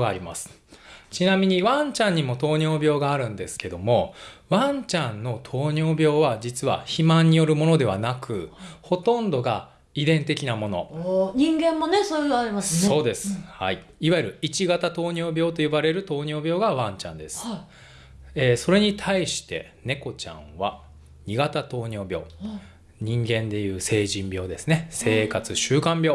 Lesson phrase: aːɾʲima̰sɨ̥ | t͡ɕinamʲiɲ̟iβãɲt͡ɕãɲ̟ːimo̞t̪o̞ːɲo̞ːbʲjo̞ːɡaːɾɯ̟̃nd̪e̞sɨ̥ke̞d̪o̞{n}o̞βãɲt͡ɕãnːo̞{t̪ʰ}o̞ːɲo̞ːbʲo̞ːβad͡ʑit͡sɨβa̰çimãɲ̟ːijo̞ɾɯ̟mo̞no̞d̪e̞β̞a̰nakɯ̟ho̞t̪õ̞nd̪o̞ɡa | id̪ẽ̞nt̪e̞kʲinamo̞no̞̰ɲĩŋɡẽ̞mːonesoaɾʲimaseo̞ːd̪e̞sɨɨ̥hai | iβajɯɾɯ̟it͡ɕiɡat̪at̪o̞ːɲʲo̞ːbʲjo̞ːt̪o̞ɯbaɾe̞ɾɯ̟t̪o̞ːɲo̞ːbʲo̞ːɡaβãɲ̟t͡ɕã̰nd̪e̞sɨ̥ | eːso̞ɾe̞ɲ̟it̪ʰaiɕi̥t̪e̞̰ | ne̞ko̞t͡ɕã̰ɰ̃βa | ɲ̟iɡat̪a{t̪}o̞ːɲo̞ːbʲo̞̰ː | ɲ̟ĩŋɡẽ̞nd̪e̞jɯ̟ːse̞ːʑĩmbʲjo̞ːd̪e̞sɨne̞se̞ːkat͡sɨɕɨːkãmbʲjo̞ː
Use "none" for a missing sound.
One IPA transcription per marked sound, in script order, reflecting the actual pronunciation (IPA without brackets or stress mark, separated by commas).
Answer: m, t̪ʰ, t̪